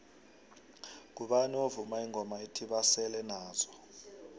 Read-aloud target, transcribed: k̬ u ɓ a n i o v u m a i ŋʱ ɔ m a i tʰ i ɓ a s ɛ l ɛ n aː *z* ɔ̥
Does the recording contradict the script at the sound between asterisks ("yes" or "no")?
no